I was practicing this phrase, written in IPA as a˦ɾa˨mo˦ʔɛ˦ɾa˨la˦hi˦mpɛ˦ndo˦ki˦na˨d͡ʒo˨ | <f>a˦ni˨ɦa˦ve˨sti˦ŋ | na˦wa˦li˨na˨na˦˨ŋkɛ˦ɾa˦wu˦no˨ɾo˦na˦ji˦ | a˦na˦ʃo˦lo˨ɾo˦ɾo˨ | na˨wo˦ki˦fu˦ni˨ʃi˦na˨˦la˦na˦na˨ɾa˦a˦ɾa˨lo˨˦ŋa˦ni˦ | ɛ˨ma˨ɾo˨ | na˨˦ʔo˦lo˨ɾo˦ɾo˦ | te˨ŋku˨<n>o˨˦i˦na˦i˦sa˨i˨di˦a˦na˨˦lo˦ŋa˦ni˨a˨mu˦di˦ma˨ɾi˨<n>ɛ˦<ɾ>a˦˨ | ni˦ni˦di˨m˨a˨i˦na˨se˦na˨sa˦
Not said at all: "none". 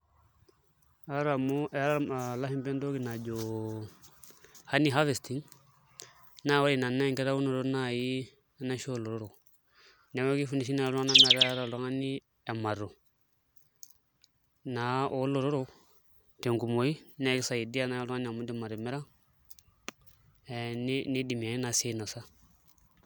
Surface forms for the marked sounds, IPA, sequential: h, m, m, ɾ

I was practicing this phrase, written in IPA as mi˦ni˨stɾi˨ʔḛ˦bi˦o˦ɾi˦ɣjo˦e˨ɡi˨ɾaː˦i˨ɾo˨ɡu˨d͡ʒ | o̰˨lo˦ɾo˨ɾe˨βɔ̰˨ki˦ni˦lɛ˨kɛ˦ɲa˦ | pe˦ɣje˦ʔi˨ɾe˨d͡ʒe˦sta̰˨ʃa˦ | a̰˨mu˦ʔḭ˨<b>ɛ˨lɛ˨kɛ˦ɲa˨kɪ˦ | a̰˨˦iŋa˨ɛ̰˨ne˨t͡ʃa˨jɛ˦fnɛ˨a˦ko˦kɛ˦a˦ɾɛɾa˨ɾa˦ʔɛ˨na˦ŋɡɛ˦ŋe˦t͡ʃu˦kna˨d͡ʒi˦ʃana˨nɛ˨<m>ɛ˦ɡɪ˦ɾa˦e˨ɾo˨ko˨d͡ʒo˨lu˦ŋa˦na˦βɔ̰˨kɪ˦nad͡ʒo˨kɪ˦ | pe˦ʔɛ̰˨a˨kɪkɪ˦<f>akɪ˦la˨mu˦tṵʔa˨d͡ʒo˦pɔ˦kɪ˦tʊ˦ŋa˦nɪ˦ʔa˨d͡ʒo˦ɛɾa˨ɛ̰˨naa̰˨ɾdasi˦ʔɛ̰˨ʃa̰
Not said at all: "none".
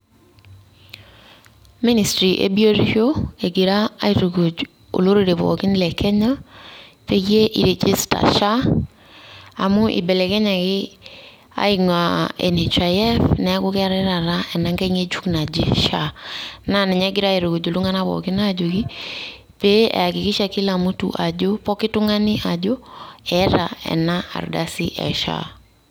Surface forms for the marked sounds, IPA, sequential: b, ɲ, ʃ

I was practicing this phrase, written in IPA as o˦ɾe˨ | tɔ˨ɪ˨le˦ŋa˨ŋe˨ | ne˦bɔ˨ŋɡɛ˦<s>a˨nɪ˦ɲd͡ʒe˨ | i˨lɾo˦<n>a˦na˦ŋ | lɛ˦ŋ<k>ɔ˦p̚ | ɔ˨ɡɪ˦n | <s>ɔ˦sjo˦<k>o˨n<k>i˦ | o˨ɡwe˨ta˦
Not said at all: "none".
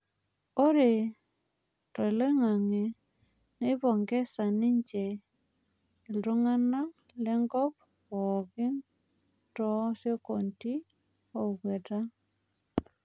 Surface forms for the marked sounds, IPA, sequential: s, ŋ, ɡ, t, k, t

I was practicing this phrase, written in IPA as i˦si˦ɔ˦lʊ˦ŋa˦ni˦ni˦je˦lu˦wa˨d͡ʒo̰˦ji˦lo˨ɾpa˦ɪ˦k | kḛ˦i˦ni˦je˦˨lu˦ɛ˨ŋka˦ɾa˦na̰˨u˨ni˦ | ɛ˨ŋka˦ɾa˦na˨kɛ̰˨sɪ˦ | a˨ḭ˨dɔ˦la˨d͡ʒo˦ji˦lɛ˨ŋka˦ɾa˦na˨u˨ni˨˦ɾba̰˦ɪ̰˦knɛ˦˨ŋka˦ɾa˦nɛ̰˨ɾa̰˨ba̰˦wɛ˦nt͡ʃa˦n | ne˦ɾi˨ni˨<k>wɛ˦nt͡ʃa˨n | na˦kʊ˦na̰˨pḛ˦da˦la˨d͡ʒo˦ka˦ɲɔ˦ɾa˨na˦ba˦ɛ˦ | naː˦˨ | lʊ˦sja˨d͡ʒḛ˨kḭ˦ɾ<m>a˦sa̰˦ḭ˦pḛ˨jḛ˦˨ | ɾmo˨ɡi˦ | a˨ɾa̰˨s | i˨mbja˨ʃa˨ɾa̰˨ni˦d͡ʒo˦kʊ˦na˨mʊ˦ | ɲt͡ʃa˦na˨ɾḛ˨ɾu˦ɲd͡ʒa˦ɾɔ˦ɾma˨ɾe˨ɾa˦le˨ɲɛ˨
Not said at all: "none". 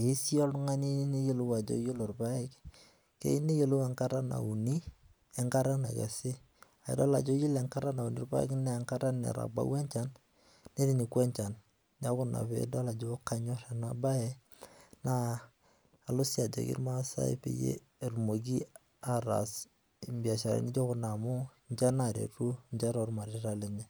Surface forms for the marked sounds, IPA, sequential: k, m

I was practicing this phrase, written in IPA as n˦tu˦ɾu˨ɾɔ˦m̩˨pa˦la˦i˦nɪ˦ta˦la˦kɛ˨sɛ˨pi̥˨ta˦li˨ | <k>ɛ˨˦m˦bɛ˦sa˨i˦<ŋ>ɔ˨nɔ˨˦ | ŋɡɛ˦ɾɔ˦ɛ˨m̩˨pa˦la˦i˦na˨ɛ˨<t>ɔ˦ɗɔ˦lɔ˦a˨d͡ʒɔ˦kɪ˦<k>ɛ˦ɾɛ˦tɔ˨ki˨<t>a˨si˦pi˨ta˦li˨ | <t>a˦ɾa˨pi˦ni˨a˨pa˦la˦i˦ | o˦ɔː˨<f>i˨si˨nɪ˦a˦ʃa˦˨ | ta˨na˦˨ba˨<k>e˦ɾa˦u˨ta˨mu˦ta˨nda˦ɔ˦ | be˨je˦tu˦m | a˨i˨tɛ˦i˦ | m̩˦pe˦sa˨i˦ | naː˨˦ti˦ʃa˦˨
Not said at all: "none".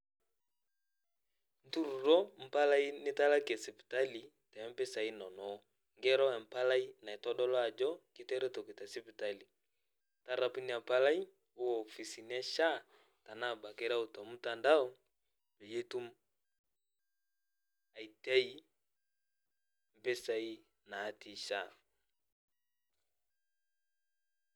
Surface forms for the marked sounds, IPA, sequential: t, n, t, t, t, t, f, k

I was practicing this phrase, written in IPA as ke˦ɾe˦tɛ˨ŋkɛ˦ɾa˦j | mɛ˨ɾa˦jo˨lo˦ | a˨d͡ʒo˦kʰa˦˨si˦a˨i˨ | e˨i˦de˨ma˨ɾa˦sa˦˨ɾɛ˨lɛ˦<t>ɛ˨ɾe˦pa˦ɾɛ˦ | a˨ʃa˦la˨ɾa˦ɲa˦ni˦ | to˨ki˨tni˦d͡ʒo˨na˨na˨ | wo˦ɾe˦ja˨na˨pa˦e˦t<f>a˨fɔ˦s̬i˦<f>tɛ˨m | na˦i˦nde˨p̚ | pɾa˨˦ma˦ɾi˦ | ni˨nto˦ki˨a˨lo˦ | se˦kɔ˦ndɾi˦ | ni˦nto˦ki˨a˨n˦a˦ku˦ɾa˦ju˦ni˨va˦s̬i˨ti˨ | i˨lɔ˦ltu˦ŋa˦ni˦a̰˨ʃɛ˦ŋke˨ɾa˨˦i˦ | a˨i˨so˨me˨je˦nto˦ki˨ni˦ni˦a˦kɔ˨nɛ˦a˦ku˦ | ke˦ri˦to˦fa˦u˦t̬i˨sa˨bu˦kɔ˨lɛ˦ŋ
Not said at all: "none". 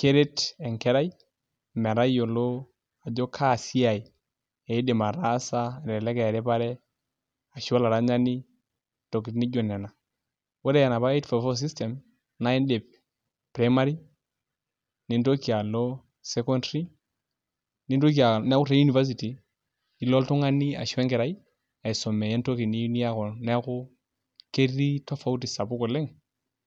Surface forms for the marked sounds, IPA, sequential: k, f, s

